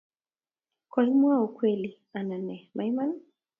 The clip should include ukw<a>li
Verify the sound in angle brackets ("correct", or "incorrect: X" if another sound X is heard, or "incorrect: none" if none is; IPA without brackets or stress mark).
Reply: incorrect: ɛ